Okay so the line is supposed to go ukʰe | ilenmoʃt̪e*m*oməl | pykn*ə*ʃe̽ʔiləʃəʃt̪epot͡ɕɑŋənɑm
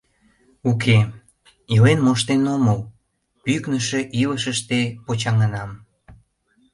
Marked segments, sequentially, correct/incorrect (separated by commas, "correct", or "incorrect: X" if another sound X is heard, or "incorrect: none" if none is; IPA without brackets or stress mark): incorrect: n, correct